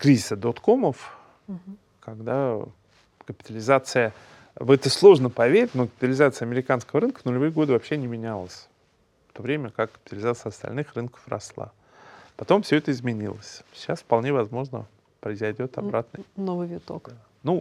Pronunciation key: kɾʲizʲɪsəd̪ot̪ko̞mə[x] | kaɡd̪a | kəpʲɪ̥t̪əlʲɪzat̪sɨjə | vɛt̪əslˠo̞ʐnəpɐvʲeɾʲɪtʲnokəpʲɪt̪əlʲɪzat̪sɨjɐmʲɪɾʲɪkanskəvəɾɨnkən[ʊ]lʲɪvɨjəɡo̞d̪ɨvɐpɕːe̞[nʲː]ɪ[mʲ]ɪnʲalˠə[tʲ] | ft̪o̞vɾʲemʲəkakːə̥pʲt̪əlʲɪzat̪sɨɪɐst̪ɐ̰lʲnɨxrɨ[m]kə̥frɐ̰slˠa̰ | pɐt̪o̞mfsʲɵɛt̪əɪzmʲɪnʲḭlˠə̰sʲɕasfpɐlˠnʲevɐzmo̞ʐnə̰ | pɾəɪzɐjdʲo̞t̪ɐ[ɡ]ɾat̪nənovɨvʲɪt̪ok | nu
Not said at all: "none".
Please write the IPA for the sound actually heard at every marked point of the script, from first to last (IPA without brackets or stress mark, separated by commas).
f, ʊ, nʲ, mʲ, sʲ, n, b